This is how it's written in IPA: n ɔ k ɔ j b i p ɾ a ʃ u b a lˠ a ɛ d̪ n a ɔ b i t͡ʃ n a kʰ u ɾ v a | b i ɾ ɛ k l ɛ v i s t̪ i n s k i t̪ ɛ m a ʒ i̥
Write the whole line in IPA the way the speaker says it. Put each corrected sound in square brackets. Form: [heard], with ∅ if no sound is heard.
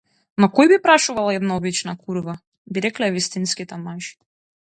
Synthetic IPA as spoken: n ɔ k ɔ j b i p ɾ a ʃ u [v] a lˠ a ɛ d̪ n a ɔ b i t͡ʃ n a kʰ u ɾ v a | b i ɾ ɛ k l ɛ v i s t̪ i n s k i t̪ ɛ m a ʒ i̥